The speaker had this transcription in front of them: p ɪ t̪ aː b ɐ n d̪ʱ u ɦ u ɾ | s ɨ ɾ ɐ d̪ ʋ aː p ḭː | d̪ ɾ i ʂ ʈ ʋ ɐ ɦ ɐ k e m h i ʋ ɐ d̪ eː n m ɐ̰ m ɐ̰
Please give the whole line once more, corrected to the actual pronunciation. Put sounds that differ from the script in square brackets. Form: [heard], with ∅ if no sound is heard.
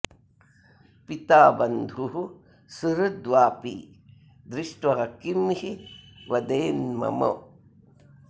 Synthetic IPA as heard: p [i] t̪ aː b ɐ n d̪ʱ u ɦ u [∅] | s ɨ ɾ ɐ d̪ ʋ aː p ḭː | d̪ ɾ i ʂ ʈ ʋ ɐ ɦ ɐ k [i] m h i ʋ ɐ d̪ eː n m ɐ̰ m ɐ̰